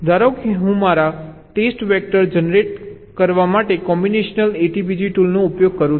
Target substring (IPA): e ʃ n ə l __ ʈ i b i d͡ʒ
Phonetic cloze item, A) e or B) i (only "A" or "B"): A